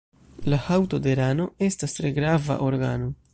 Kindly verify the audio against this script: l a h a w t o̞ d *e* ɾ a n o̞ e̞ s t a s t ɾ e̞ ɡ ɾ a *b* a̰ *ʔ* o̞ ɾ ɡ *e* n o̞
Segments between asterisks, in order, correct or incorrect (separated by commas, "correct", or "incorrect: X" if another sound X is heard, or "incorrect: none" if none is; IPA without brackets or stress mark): correct, incorrect: v, correct, incorrect: a